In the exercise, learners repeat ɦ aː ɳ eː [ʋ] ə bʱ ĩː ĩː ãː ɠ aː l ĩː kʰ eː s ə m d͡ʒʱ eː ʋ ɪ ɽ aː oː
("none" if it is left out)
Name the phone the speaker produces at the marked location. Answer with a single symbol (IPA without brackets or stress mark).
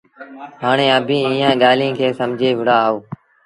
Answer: none